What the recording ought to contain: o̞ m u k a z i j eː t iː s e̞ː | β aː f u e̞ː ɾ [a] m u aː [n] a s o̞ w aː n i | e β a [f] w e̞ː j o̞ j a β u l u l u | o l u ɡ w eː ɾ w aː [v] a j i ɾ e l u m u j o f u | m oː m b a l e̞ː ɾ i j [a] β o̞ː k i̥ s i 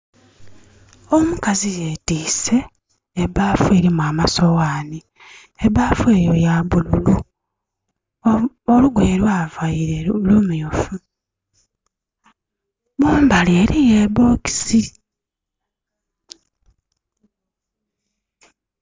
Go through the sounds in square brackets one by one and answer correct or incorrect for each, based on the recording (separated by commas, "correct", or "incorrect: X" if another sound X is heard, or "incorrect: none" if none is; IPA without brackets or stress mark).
incorrect: i, incorrect: m, correct, correct, incorrect: e